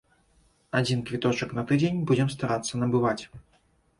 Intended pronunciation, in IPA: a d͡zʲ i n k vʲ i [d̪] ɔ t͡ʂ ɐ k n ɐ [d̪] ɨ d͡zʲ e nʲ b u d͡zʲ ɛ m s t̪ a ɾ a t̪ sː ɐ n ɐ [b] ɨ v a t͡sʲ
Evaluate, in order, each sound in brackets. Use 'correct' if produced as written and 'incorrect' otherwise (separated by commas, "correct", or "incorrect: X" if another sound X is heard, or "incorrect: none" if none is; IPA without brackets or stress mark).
incorrect: t̪, incorrect: t̪, correct